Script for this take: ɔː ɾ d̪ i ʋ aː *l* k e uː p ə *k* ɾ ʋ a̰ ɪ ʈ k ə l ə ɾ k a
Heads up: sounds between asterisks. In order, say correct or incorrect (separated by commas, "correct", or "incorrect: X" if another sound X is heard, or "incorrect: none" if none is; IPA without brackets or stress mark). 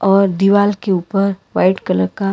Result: correct, incorrect: none